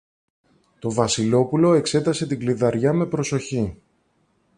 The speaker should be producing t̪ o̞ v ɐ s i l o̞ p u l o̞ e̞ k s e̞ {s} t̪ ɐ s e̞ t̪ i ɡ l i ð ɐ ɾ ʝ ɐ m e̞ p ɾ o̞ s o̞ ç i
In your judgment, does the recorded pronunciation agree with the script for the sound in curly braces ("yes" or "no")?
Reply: no